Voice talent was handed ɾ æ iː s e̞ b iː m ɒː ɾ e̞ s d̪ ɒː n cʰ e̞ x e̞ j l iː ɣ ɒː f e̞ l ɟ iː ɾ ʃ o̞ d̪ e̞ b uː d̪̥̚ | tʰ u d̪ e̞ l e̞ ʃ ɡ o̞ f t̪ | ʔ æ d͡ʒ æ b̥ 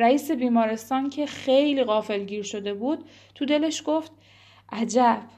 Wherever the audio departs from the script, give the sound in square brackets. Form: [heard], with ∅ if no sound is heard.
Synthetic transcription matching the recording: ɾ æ iː s e̞ b iː m ɒː ɾ e̞ s [t̪] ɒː n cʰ e̞ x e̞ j l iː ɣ ɒː f e̞ l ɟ iː ɾ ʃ o̞ d̪ e̞ b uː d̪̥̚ | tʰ u d̪ e̞ l e̞ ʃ ɡ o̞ f t̪ | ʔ æ d͡ʒ æ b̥